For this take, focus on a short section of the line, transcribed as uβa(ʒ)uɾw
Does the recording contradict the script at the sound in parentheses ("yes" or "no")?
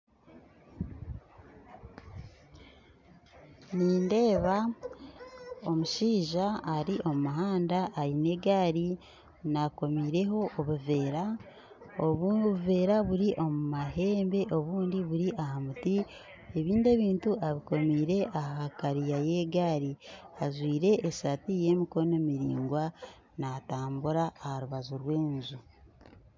yes